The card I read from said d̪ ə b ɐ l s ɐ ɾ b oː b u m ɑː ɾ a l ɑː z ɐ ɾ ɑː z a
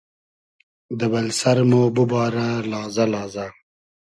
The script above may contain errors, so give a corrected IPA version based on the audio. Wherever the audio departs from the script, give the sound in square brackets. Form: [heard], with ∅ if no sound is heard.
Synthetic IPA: d̪ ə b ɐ l s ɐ ɾ [m] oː b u [b] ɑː ɾ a l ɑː z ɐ [l] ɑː z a